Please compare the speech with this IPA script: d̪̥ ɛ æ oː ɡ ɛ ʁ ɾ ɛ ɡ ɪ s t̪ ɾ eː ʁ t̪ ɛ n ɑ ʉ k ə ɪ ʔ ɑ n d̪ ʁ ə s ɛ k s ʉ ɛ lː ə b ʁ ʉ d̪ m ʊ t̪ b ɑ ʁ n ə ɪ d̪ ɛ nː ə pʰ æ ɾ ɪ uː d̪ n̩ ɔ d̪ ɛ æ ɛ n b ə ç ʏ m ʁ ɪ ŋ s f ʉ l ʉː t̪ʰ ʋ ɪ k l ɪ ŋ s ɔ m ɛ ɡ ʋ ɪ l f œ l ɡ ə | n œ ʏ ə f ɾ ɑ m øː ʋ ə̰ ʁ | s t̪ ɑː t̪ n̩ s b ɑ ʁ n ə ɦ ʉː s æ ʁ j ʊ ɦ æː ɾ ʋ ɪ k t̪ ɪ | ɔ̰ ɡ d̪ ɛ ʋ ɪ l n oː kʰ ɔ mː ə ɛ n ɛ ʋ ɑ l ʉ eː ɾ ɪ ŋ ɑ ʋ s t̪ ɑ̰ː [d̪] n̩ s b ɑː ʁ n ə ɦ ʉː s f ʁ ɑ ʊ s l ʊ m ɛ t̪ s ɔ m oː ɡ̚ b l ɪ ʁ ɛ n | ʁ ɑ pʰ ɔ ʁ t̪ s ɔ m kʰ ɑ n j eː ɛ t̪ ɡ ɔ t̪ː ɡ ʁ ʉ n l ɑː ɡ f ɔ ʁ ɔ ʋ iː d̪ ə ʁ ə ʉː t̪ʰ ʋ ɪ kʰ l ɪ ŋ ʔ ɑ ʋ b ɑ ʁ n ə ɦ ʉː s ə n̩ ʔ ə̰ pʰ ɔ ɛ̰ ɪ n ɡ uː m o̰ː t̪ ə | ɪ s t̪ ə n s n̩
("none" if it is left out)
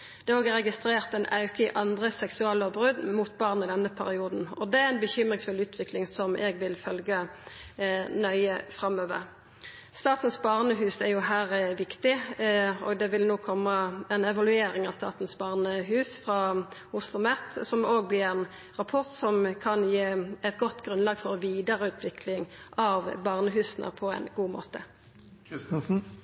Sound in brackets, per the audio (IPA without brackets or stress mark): t̪